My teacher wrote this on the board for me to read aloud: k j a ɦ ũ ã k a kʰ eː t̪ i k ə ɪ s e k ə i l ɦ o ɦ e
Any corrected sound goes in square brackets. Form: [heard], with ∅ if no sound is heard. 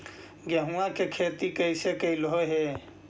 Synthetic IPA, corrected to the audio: [ɡ] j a ɦ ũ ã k [e] kʰ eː t̪ i k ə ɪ s e k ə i l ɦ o ɦ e